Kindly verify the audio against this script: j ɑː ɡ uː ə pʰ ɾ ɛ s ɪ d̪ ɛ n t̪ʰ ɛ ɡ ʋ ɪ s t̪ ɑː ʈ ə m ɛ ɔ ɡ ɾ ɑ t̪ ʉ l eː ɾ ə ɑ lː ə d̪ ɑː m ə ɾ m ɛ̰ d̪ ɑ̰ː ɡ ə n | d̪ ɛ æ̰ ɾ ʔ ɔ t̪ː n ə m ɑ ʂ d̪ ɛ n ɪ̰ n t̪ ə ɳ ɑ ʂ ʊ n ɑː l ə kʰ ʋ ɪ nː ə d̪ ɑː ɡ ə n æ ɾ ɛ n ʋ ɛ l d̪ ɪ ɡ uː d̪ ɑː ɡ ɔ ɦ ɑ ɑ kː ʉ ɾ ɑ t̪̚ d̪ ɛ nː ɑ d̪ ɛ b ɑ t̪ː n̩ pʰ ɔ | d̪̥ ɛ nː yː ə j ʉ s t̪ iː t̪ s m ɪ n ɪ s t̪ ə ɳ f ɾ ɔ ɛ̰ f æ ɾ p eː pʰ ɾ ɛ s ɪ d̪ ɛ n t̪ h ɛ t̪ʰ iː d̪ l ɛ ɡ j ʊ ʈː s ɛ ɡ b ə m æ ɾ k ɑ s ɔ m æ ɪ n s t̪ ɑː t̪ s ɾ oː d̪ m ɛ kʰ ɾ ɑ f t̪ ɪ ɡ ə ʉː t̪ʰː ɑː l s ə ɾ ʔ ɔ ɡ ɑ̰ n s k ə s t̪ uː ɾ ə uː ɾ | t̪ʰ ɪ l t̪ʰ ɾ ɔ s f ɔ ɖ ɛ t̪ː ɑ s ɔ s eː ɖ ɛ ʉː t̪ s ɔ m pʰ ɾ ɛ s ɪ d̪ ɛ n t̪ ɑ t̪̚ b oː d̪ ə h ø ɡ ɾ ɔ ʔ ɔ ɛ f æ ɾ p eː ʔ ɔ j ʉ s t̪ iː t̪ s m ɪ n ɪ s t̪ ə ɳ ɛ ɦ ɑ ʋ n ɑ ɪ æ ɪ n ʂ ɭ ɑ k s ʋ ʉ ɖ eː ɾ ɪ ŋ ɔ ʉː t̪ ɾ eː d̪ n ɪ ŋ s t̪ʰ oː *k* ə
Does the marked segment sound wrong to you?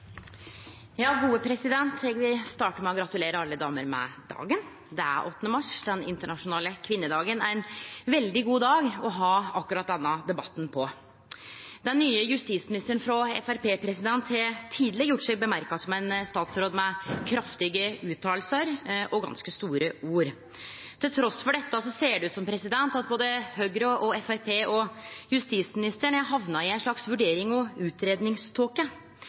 no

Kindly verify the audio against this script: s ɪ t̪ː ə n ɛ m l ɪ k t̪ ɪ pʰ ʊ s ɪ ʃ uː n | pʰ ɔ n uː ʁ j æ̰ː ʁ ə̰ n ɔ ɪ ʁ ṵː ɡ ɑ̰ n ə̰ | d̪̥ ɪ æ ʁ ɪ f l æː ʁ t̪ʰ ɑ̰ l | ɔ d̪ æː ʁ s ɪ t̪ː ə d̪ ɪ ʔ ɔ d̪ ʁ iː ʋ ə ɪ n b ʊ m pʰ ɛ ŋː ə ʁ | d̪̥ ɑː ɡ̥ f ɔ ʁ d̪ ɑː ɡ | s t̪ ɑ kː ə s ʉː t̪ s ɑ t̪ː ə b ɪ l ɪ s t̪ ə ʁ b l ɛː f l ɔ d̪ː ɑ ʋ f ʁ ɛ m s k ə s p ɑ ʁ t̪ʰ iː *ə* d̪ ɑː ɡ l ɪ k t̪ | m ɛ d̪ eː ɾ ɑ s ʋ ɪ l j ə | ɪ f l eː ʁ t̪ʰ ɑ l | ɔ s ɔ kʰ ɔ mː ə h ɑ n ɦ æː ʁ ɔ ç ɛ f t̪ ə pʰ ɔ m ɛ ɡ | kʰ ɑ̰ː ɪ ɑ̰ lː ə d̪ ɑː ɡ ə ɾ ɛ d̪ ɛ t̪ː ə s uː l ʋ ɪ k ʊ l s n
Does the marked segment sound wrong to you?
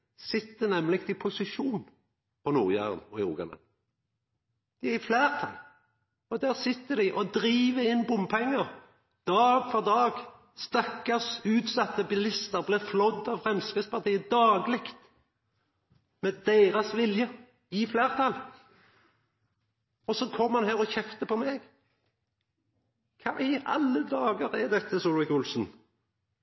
no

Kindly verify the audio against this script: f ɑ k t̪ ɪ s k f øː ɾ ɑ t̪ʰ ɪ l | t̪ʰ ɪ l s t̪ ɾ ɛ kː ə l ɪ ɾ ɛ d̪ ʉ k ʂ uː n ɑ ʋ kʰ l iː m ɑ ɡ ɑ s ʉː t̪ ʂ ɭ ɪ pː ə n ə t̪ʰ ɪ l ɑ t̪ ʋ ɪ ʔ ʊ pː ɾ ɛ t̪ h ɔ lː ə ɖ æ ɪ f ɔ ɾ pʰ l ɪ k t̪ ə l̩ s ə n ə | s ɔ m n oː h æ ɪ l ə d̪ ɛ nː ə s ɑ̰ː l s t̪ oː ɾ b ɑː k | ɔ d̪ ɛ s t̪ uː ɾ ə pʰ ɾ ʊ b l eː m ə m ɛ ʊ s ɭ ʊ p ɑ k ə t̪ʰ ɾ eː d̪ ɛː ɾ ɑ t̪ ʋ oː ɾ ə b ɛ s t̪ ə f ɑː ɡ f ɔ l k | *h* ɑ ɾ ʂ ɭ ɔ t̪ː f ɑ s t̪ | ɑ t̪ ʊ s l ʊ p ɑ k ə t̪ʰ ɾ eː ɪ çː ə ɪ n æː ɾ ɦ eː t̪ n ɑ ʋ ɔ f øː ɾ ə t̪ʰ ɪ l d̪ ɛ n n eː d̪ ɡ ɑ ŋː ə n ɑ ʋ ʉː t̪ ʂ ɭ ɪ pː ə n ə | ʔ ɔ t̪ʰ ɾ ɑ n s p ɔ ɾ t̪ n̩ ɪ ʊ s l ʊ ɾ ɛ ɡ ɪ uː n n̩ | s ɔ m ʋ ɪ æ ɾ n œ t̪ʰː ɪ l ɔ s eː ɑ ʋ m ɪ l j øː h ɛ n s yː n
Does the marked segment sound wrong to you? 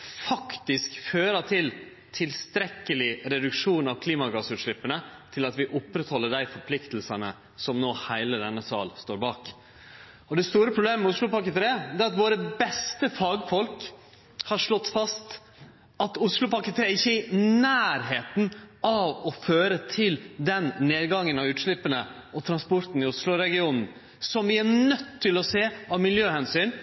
no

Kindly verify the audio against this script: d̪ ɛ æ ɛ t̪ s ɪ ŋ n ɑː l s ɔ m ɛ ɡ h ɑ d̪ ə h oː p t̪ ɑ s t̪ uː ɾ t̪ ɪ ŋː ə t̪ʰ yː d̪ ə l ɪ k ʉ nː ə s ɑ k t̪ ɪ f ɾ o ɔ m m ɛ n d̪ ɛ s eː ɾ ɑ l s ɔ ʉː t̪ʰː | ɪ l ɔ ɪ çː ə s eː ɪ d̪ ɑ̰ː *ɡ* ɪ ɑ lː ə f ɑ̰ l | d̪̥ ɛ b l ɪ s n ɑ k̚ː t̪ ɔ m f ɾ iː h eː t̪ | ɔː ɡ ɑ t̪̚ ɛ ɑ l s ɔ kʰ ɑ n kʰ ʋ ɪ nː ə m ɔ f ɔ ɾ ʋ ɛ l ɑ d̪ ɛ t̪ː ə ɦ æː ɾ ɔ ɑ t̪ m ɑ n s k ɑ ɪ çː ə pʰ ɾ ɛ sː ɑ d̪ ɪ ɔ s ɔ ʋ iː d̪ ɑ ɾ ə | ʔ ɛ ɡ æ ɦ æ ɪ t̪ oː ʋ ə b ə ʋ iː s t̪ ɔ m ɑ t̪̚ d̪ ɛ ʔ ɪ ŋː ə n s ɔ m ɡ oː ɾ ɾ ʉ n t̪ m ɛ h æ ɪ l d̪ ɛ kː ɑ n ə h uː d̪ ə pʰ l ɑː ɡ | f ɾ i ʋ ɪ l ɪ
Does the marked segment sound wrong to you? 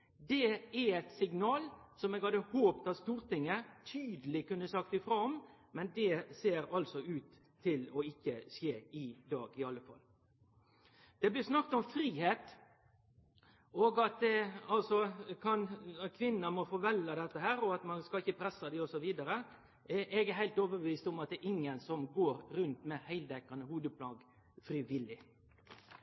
no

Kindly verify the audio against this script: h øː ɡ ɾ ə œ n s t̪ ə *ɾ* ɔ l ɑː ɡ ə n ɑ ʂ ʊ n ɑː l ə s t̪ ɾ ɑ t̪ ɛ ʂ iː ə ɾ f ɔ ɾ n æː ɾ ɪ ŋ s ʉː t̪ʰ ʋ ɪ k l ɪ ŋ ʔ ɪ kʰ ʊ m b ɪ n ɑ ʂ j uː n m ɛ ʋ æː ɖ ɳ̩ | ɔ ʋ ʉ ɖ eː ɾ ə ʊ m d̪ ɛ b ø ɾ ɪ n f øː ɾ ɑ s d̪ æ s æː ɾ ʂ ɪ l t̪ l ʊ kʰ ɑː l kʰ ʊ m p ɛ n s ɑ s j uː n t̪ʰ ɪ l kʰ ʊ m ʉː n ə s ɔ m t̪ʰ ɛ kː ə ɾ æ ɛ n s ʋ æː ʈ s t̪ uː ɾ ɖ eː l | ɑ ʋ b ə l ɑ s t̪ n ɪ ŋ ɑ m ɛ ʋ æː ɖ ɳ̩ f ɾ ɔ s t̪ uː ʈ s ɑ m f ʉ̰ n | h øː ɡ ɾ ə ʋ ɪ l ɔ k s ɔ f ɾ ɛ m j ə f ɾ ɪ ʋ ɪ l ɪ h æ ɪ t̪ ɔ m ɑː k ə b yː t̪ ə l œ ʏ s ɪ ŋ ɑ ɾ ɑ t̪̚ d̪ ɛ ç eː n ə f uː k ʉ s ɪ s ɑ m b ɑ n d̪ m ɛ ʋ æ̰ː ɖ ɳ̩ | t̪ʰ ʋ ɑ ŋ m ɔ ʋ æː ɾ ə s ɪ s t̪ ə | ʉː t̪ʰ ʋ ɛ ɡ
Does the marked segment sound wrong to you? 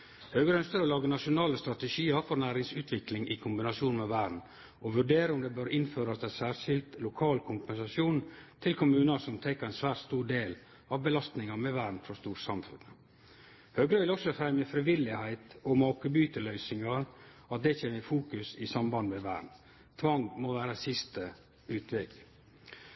no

